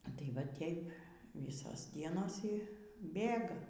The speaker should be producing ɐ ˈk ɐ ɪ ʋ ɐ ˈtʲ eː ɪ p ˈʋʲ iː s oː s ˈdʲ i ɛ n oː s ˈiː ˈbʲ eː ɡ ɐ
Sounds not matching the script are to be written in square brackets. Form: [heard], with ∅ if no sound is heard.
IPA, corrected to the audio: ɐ [ˈt] ɐ ɪ ʋ ɐ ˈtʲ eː ɪ p ˈʋʲ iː s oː s ˈdʲ i ɛ n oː s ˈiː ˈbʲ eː ɡ ɐ

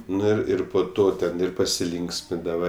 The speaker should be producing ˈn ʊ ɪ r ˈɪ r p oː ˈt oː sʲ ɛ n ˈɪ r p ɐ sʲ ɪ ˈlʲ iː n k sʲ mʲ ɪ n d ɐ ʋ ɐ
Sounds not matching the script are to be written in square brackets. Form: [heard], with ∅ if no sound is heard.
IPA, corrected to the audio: ˈn ʊ ɪ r ˈɪ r p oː ˈt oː [tʲ] ɛ n ˈɪ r p ɐ sʲ ɪ ˈlʲ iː [ŋ] k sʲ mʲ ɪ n d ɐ ʋ ɐ

